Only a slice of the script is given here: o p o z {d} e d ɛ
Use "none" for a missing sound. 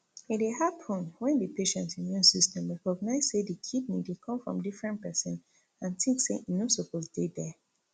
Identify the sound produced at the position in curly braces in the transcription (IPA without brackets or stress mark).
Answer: d